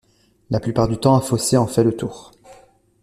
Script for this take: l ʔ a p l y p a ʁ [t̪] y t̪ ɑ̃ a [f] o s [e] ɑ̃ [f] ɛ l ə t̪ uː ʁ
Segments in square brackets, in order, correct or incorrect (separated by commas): incorrect, correct, correct, correct